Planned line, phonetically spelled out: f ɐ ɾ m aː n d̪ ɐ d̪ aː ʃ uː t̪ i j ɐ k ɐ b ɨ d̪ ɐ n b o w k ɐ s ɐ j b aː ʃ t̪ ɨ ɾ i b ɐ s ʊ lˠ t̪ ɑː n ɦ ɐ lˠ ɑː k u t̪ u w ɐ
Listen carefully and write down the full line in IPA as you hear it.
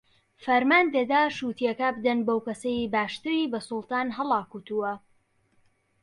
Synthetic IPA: f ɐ ɾ m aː n d̪ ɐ d̪ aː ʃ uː t̪ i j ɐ k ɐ b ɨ d̪ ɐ n b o w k ɐ s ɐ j b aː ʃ t̪ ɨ ɾ i b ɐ s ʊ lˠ t̪ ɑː n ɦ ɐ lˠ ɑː k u t̪ u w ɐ

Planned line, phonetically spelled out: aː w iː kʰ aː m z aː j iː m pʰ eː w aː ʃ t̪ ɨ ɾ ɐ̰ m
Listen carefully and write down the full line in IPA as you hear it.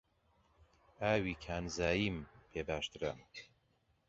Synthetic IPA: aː w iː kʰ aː n z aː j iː m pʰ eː b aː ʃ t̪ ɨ ɾ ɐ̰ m

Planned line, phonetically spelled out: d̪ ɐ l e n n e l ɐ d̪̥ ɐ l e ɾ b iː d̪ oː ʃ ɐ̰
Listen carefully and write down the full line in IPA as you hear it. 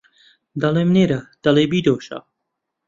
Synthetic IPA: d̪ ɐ l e m n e ɾ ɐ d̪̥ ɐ l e b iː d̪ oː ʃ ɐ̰

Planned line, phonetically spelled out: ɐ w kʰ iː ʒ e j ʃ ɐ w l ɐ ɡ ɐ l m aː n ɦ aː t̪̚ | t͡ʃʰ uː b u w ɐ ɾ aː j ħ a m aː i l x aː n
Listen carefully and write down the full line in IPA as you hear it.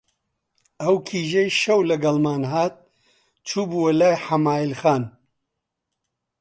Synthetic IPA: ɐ w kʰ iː ʒ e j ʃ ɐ w l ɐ ɡ ɐ l m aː n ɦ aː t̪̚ | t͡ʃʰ uː b u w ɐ l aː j ħ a m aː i l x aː n

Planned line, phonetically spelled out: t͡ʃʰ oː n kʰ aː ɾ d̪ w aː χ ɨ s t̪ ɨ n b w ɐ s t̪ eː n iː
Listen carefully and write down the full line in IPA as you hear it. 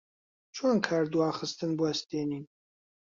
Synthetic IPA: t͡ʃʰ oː n kʰ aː ɾ d̪ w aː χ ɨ s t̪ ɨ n b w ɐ s t̪ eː n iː

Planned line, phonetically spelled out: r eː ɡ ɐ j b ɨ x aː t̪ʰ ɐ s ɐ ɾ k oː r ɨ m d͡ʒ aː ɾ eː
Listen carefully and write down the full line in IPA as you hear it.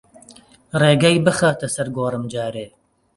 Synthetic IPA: r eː ɡ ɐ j b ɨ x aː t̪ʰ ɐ s ɐ ɾ ɡ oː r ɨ m d͡ʒ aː ɾ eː

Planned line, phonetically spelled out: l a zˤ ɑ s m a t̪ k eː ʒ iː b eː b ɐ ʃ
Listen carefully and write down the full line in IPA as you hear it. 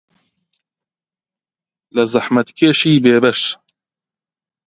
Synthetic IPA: l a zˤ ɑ ħ m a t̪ k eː ʃ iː b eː b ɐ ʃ

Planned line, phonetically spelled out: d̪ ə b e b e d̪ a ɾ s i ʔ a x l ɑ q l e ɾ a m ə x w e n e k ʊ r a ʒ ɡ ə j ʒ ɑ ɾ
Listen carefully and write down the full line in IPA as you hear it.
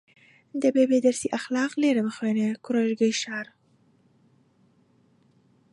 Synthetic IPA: d̪ ə b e b e d̪ a ɾ s i ʔ a x l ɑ q l e ɾ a m ə x w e n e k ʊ ɾ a ʒ ɡ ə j ʃ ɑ ɾ

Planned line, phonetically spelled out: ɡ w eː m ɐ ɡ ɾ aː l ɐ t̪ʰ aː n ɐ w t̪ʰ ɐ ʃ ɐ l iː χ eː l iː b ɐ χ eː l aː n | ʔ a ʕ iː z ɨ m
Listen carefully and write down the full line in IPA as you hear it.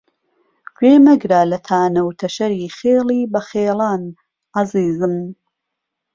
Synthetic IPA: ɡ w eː m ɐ ɡ ɾ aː l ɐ t̪ʰ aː n ɐ w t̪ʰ ɐ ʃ ɐ ɾ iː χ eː l iː b ɐ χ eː l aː n | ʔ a z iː z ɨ m

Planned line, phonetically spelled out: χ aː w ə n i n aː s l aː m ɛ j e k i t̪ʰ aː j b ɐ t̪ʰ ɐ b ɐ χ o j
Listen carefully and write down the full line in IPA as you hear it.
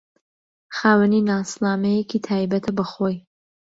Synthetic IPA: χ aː w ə n i n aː s l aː m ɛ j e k i t̪ʰ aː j b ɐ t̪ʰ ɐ b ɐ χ o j

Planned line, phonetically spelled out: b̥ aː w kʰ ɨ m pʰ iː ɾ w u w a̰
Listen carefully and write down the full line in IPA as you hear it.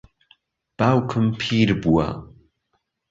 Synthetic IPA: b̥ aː w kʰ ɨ m pʰ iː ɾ b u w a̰

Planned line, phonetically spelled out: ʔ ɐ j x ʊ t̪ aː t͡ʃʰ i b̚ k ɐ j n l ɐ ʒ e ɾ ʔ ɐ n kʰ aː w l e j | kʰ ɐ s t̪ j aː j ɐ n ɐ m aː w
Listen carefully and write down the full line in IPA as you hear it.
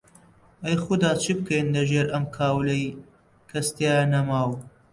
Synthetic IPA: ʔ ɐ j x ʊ d̪ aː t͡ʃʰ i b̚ k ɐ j n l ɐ ʒ e ɾ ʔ ɐ m kʰ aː w l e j | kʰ ɐ s t̪ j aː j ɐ n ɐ m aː w

